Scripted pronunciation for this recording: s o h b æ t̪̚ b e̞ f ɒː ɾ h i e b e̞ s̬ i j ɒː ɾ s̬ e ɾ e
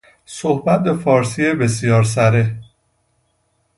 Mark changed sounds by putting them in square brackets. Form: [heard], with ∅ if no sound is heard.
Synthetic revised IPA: s o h b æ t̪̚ b e̞ f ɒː ɾ [s] i e b e̞ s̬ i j ɒː ɾ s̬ [æ] ɾ e